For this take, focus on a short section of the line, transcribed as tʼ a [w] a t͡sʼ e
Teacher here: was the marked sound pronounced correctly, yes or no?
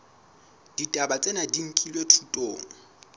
no